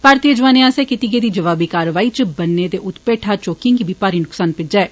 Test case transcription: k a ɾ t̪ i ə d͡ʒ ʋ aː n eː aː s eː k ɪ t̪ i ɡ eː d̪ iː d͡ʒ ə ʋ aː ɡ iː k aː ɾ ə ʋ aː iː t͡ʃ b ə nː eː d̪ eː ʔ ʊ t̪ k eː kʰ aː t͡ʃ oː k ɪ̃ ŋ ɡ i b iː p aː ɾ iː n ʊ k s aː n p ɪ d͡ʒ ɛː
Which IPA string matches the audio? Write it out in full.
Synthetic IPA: p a ɾ t̪ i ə d͡ʒ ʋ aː n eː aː s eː k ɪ t̪ i ɡ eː d̪ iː d͡ʒ ə ʋ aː b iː k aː ɾ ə ʋ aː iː t͡ʃ b ə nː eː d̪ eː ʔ ʊ t̪ p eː ʈʰ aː t͡ʃ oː k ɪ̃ ŋ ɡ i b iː p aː ɾ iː n ʊ k s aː n p ɪ d͡ʒ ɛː